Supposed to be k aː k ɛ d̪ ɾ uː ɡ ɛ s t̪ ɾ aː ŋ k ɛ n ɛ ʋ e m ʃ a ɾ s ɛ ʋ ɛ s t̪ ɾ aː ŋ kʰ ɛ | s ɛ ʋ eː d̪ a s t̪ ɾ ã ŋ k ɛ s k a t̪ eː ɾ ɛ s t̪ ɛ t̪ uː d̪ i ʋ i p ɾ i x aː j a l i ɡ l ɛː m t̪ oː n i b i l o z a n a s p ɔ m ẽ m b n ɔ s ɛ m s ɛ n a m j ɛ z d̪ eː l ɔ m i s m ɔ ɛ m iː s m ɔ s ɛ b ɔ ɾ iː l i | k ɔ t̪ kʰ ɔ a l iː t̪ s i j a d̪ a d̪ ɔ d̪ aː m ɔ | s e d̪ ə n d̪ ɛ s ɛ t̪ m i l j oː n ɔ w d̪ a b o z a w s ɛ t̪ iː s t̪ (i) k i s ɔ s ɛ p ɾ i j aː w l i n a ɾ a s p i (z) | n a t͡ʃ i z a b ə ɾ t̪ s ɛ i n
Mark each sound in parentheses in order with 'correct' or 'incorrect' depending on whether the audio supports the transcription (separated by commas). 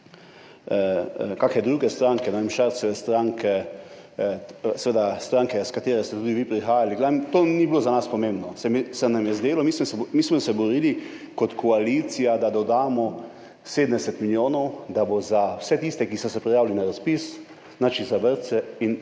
incorrect, incorrect